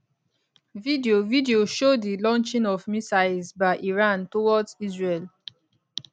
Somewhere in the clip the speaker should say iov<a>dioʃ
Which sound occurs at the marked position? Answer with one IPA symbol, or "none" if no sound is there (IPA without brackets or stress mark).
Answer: i